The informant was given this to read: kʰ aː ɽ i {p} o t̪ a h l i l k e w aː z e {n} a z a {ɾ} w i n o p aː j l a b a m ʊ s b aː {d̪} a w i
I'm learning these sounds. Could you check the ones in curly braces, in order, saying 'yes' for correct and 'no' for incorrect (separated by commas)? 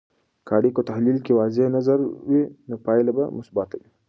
no, yes, yes, no